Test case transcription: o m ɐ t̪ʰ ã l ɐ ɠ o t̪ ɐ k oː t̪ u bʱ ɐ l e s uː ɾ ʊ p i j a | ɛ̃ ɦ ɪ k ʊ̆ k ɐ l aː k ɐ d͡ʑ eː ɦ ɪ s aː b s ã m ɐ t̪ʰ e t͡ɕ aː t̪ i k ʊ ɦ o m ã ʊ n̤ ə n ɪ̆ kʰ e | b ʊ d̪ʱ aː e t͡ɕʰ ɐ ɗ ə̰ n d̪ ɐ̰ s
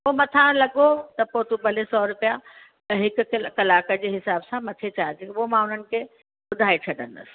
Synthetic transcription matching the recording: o m ɐ t̪ʰ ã l ɐ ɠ o t̪ ɐ p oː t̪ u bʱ ɐ l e s ɔː ɾ ʊ p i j a | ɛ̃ ɦ ɪ k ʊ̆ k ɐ l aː k ə d͡ʑ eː ɦ ɪ s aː b s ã m ɐ t̪ʰ e t͡ɕ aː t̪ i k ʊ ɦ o m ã ʊ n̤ ə n ɪ̆ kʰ e | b ʊ d̪ʱ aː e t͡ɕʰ ɐ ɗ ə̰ n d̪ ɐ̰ s